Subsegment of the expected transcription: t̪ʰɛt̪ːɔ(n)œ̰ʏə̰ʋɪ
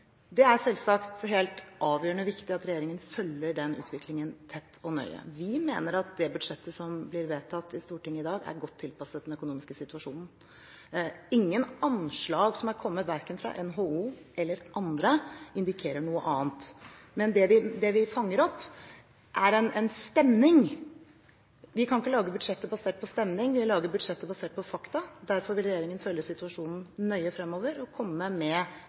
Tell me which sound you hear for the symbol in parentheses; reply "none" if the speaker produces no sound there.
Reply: n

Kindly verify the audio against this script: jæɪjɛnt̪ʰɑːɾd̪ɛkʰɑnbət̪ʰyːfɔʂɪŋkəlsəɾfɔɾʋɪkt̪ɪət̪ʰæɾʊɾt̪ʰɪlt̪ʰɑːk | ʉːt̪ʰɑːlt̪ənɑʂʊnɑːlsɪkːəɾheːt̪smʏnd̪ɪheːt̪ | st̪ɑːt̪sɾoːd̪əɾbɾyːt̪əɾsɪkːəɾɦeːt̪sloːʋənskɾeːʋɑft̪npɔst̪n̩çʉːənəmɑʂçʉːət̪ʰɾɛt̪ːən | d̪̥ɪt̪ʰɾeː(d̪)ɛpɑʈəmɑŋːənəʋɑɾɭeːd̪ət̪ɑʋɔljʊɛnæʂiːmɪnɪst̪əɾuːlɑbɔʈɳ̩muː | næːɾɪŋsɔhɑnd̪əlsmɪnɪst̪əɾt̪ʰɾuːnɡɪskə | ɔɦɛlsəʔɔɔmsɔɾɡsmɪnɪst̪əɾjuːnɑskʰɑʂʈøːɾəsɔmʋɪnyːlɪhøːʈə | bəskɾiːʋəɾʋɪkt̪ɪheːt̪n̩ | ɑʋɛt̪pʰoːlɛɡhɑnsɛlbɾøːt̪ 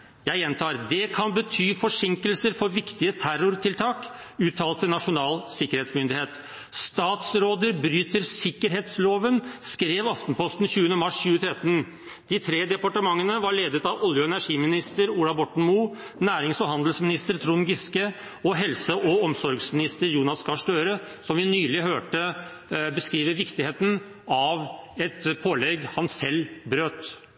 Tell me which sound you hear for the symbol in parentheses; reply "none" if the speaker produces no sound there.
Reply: d̪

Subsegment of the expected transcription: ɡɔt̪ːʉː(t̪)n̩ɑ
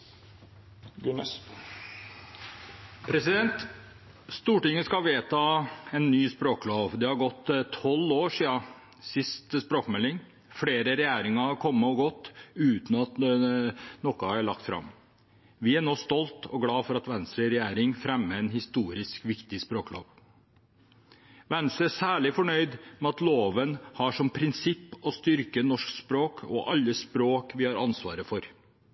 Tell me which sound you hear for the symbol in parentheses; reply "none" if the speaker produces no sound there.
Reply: t̪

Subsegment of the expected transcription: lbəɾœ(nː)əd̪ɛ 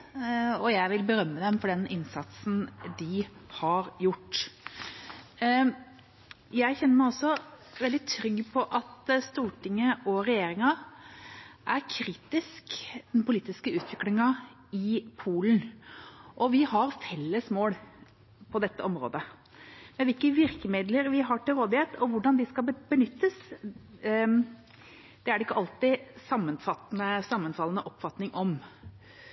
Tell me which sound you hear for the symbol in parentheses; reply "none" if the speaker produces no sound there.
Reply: mː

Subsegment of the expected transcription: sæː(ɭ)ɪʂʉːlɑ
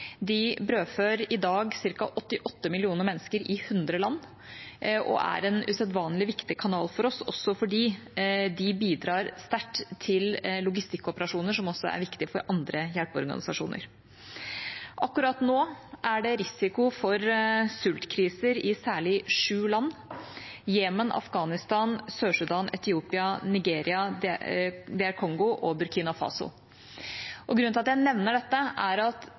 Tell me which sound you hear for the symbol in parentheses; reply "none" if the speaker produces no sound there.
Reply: ɭ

